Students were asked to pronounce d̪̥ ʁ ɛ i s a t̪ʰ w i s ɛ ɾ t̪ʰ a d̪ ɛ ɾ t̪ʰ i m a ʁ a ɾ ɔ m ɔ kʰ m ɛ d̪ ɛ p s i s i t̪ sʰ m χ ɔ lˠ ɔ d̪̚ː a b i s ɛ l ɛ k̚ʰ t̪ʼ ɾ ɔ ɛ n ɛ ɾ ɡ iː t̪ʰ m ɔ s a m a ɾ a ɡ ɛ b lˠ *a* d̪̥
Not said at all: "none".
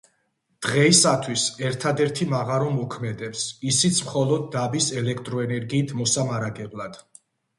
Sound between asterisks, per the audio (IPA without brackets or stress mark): a